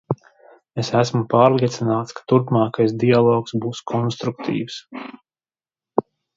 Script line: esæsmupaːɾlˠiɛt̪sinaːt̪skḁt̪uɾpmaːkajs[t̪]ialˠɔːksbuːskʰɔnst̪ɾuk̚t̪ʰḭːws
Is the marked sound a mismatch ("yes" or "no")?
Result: yes